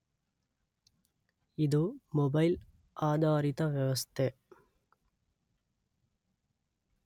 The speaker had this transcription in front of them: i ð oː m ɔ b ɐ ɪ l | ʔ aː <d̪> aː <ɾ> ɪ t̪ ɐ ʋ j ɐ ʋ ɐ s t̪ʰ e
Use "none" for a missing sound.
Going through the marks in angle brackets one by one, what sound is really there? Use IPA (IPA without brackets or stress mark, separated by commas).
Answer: d̪, ɾ